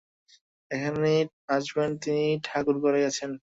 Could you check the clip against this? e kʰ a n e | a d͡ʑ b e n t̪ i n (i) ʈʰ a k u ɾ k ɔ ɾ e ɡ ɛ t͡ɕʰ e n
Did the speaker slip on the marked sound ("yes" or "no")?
no